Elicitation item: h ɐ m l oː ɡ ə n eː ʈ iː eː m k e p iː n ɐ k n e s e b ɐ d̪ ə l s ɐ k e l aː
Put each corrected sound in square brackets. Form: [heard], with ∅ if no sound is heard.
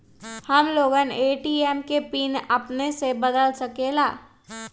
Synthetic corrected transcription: h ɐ m l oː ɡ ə n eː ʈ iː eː m k e p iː n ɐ [p] n e s e b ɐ d̪ ə l s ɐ k e l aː